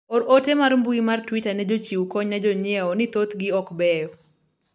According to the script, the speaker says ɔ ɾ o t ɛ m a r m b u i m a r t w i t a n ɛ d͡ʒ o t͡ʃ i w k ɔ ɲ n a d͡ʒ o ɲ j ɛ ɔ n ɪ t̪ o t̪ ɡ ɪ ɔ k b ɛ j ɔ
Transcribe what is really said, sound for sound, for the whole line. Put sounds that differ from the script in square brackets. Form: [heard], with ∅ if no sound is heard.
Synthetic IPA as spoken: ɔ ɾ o t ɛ m a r m b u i m a r t w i t a n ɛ d͡ʒ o t͡ʃ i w k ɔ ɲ n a d͡ʒ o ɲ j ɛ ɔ n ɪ t̪ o t̪ ɡ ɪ ɔ k b ɛ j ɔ